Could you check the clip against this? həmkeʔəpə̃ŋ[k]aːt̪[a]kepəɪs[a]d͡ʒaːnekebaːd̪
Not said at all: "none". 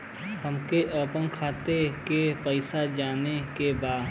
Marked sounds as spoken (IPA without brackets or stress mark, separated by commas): kʰ, e, a